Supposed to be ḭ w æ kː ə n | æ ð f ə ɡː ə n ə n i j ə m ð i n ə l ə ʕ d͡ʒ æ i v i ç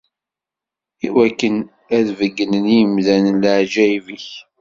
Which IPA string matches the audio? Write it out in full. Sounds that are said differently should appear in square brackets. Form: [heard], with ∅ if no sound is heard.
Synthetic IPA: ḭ w æ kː ə n | æ ð [v] ə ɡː ə n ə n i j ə m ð [æ] n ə l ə ʕ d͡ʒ æ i v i ç